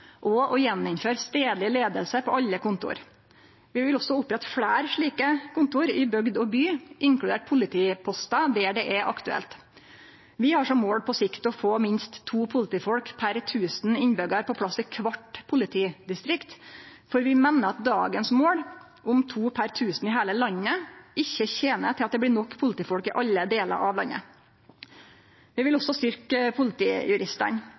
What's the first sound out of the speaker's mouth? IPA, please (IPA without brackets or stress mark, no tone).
ʔ